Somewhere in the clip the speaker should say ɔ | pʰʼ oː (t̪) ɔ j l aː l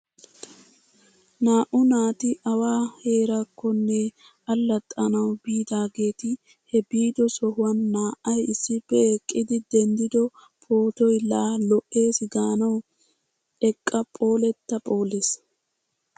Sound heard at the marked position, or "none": t̪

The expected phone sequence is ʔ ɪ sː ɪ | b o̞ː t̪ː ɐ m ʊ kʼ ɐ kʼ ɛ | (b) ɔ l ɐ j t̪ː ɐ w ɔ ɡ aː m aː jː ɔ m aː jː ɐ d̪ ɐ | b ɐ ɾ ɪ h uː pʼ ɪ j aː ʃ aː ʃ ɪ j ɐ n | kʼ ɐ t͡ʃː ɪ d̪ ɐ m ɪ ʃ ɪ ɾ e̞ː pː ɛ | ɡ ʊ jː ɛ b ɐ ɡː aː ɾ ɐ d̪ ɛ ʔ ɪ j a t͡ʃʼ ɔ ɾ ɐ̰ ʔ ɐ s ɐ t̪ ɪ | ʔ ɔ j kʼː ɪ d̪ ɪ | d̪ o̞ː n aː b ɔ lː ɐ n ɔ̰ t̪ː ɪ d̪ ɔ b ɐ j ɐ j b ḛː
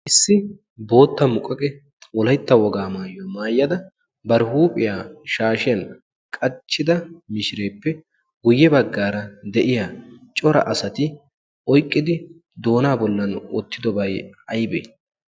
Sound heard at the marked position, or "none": w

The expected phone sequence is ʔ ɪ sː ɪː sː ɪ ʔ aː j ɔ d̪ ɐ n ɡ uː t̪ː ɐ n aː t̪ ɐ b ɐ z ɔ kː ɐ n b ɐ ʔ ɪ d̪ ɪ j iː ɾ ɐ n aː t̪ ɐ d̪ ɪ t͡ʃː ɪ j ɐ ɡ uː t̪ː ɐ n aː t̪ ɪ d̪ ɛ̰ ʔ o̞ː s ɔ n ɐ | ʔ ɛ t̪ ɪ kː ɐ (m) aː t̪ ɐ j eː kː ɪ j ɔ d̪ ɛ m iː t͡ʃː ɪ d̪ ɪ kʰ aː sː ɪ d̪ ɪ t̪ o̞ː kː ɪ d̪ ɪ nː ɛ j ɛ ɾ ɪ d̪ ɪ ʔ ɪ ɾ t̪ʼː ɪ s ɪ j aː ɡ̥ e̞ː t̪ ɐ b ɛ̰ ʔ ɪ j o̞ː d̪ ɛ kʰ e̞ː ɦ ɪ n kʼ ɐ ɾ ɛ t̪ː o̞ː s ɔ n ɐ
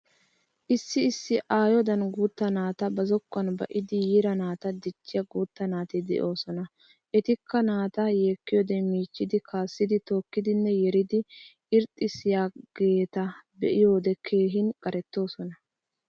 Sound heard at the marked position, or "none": n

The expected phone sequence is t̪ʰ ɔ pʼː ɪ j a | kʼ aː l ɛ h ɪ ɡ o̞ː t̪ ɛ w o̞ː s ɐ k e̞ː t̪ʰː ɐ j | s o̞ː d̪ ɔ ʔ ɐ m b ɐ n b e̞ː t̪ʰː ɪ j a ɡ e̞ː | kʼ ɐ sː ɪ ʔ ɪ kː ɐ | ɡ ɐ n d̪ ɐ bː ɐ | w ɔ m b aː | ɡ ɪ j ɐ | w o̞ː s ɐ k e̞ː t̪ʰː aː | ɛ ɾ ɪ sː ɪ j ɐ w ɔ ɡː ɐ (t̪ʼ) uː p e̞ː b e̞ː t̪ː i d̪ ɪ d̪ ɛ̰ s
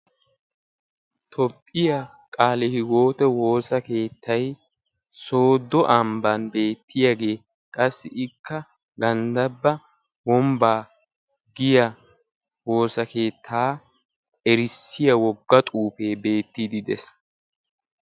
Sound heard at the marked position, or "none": t̪ʼ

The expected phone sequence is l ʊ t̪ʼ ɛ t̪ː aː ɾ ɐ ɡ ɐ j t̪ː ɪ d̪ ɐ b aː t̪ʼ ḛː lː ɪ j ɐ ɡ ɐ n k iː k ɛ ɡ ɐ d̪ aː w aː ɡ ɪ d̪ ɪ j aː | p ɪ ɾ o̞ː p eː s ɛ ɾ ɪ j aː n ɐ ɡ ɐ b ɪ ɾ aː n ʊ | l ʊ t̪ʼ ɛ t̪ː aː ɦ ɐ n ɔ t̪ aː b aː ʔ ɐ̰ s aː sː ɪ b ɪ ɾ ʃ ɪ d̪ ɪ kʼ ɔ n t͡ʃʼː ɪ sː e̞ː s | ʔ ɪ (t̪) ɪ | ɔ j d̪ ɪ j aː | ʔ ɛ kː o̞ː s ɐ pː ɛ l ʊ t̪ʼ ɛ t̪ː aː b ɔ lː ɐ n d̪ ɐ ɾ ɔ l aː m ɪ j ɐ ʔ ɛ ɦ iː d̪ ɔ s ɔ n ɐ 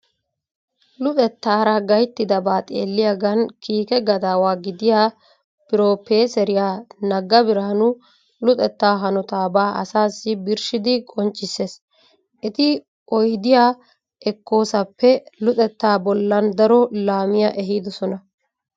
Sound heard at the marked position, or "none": t̪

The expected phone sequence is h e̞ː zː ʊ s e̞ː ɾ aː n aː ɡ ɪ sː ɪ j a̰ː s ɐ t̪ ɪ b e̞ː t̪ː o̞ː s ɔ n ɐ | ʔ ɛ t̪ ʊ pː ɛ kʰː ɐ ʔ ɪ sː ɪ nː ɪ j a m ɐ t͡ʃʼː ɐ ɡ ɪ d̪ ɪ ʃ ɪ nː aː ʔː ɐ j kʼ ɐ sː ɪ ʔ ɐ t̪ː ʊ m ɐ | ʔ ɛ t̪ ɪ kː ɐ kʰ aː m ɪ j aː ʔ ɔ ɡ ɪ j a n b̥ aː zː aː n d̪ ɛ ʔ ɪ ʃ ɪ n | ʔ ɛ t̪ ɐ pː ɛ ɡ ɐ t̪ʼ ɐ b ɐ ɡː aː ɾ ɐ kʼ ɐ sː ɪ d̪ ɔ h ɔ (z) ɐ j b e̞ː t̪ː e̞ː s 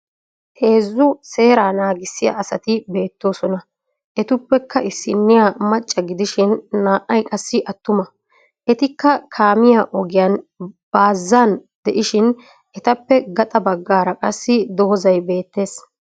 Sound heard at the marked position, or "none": z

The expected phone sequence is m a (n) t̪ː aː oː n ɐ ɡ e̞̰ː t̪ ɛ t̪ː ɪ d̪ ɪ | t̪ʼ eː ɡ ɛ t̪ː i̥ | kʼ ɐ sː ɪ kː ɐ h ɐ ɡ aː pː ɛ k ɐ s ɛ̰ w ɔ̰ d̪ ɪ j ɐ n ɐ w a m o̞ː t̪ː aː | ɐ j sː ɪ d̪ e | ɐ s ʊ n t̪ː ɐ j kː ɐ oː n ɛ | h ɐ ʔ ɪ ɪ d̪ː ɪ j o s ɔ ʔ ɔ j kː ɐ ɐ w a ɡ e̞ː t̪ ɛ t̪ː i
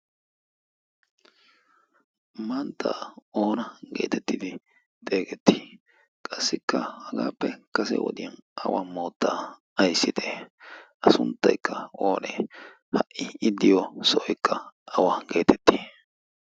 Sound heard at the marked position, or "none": n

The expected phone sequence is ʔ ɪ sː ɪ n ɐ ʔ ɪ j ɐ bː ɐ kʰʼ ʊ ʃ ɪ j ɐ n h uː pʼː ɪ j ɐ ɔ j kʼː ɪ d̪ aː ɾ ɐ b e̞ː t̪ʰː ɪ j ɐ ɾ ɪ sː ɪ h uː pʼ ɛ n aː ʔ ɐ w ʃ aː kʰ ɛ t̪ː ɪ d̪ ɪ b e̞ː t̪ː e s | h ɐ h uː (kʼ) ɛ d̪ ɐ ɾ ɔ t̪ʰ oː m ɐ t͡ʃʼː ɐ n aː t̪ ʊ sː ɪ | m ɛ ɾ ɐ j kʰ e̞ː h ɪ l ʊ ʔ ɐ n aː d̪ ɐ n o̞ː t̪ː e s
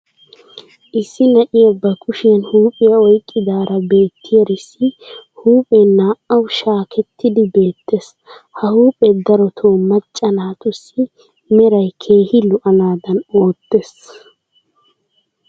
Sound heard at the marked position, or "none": pʼ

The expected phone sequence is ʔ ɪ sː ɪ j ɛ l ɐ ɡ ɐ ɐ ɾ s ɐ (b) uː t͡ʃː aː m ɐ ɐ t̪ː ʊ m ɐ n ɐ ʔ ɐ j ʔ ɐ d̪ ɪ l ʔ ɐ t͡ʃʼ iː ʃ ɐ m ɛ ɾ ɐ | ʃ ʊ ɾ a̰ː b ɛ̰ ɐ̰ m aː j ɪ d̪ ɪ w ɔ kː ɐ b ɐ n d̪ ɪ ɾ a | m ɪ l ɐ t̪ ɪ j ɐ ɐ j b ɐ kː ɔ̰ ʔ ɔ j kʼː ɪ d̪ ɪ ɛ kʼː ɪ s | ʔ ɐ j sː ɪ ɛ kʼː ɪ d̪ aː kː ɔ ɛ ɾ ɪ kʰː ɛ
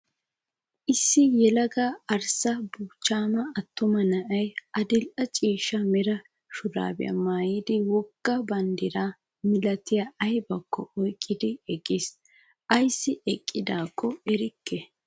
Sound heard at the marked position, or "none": b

